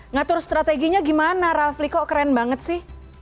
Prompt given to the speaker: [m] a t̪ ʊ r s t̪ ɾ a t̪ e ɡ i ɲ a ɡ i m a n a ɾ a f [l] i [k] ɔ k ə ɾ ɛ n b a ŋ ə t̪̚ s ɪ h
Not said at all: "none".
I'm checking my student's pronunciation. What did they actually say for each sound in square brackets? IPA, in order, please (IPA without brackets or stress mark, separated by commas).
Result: ŋ, l, k